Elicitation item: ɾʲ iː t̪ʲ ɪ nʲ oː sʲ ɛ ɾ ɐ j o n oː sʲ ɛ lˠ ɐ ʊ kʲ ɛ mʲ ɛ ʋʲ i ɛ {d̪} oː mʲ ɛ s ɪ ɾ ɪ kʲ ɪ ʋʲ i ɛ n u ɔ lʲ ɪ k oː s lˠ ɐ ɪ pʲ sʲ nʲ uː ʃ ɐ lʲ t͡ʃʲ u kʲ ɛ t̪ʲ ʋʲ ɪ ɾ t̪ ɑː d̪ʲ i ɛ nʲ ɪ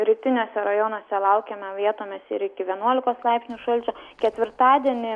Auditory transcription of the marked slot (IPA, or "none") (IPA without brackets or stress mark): t̪